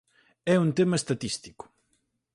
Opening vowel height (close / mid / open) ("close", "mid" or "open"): mid